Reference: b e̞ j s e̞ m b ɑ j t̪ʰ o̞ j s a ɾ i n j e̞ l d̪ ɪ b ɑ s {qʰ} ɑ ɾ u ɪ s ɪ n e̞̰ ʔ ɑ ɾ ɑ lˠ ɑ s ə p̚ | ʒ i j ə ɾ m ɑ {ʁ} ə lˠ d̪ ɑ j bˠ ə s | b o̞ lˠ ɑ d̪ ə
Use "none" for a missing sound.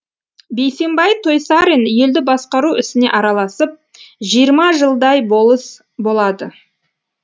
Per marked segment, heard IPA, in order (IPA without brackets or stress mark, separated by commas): q, ʒ